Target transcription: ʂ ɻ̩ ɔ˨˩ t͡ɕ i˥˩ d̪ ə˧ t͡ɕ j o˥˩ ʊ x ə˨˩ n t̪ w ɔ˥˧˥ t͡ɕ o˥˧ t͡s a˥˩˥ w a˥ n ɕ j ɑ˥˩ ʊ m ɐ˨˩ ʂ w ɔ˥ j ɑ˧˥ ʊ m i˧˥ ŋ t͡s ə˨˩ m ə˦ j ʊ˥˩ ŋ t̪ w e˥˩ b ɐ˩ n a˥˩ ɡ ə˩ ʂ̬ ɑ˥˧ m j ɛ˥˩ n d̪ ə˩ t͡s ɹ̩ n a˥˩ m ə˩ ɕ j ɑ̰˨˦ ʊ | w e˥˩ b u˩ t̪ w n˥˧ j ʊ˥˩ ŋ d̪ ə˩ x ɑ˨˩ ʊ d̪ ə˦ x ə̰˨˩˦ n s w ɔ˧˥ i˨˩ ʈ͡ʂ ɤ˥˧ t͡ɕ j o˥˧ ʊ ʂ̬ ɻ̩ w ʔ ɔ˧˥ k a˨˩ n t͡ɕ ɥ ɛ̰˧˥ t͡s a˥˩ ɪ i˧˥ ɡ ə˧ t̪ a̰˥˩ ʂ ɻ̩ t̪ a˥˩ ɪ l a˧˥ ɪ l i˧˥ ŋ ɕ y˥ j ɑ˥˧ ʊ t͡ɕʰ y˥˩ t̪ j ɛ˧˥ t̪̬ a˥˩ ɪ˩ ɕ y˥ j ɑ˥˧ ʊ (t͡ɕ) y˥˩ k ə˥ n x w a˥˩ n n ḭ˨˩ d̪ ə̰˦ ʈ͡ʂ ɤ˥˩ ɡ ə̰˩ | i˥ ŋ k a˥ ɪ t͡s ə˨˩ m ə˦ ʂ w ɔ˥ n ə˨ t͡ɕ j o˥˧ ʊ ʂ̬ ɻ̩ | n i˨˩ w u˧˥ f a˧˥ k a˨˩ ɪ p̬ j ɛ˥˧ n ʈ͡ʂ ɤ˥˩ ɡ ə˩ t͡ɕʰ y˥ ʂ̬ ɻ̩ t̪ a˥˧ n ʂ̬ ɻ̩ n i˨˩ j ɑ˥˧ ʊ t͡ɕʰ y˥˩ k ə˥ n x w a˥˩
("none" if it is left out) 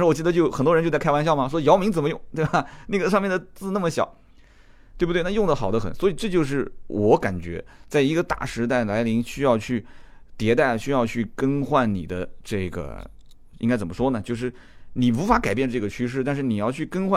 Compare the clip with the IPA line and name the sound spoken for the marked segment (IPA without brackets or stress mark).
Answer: t͡ɕʰ